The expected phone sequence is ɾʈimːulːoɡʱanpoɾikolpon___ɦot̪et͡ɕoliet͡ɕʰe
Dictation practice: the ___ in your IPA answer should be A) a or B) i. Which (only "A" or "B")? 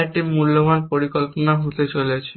A